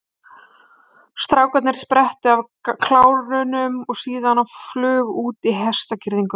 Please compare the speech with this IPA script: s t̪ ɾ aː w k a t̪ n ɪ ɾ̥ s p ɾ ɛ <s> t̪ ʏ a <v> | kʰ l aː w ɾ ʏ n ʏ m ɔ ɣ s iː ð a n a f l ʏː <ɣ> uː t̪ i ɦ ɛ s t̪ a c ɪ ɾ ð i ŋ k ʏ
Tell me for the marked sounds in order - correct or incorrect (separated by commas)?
incorrect, correct, correct